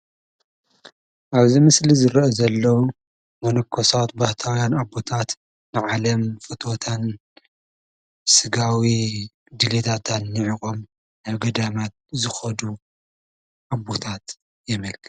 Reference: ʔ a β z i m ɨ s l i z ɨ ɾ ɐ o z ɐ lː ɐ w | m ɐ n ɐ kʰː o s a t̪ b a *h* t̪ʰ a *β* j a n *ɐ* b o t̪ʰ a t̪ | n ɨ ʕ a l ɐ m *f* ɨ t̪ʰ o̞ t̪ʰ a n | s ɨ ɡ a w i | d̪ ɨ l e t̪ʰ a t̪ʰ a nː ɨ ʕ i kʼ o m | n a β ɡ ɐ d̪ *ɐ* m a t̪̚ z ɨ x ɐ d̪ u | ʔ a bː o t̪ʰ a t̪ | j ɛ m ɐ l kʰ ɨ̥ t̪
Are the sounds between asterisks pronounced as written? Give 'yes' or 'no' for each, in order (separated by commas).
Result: yes, no, no, yes, no